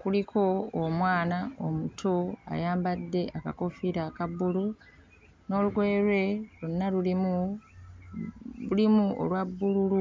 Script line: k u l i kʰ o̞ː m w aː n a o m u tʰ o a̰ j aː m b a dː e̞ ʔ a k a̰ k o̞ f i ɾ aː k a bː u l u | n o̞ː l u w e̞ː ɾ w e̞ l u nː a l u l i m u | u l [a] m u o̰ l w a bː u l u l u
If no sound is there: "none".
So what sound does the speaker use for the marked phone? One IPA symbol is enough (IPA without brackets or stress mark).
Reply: i